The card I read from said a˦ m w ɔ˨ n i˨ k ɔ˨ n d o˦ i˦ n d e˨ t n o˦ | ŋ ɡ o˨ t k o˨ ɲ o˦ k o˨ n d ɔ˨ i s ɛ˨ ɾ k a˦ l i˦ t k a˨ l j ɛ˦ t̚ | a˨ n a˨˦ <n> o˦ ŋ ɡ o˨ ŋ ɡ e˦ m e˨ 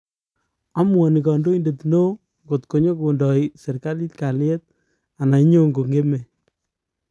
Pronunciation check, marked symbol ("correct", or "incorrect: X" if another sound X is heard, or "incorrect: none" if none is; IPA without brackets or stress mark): incorrect: ɲ